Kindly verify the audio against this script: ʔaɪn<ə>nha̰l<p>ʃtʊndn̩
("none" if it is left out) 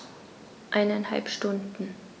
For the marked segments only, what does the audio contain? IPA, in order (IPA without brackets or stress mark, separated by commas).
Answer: a, p